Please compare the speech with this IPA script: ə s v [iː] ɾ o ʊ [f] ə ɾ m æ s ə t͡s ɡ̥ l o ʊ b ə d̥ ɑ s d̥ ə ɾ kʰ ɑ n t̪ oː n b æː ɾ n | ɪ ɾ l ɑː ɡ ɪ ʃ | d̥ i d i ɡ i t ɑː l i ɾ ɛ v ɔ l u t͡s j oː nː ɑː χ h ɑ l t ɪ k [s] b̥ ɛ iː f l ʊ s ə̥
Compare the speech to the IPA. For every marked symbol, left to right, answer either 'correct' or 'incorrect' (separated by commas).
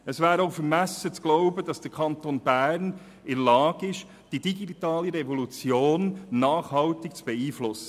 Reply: incorrect, correct, incorrect